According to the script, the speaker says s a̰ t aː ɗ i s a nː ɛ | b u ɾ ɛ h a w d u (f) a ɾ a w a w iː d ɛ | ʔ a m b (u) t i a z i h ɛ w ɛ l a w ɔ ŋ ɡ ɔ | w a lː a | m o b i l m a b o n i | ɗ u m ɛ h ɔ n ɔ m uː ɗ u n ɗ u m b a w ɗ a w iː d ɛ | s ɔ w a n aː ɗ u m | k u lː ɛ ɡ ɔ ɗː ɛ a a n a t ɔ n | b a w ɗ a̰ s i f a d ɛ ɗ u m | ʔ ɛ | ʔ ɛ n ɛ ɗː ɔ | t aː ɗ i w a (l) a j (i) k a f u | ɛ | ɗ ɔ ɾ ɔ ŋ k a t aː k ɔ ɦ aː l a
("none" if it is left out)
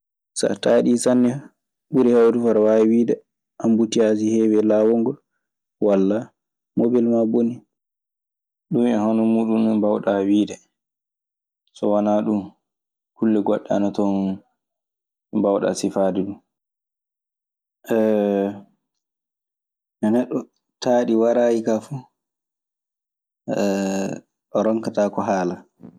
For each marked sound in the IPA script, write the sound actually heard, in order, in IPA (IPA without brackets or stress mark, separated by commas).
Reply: f, u, ɾ, i